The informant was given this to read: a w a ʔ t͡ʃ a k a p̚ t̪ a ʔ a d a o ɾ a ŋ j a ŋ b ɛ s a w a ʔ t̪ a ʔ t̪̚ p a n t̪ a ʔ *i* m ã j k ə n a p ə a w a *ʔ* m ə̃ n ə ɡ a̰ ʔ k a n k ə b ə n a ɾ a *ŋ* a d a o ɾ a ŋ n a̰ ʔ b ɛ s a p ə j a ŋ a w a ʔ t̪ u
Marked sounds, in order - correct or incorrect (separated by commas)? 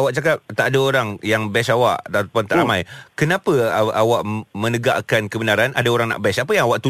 incorrect, correct, incorrect